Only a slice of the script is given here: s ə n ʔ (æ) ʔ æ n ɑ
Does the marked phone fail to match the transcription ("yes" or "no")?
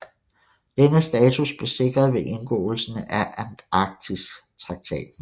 no